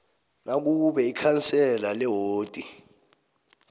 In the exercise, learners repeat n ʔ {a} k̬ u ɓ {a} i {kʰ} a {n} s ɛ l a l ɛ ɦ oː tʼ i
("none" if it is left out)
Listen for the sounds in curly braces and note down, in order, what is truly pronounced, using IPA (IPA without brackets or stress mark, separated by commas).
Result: a, ɛ, kʰ, n